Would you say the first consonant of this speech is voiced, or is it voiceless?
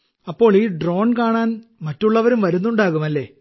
voiceless